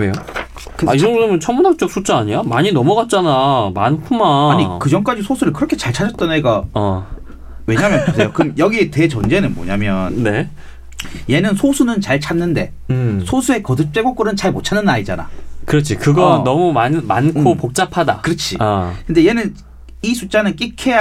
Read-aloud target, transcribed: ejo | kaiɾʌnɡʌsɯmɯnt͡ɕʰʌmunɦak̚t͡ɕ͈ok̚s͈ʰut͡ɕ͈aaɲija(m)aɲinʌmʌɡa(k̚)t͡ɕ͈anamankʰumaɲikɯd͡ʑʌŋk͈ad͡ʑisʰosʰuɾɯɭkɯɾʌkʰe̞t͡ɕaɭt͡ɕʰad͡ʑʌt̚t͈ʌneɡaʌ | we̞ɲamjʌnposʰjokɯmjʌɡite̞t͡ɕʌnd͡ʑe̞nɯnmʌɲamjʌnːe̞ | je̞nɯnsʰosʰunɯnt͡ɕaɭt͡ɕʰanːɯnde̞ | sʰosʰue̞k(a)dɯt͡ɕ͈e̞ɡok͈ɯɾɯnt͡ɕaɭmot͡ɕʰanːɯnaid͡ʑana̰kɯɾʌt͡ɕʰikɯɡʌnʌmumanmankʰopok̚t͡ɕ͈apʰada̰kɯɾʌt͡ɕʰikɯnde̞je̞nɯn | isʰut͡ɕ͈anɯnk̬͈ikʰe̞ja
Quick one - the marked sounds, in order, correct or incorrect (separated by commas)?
correct, incorrect, incorrect